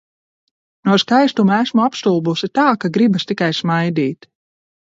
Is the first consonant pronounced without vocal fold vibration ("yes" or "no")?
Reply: no